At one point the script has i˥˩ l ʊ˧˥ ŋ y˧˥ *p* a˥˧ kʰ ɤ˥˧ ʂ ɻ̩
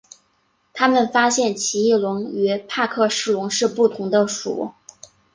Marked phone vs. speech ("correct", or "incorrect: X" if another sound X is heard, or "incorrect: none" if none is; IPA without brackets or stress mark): incorrect: pʰ